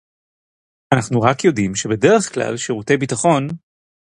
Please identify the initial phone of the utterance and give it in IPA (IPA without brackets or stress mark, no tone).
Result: a